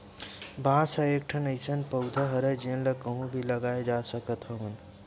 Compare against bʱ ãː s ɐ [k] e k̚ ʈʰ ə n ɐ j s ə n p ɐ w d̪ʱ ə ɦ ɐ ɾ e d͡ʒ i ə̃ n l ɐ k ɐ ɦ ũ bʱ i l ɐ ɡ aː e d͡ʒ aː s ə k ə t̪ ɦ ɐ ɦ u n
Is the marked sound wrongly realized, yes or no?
yes